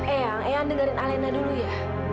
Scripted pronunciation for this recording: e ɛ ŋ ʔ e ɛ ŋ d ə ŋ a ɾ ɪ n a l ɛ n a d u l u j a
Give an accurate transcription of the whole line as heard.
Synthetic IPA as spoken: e a ŋ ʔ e a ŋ d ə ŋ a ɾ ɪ n a l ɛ n a d u l u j a